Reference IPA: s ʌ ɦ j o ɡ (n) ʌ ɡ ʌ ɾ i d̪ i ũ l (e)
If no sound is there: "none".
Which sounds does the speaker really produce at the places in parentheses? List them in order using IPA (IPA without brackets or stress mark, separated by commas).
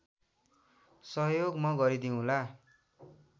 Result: m, a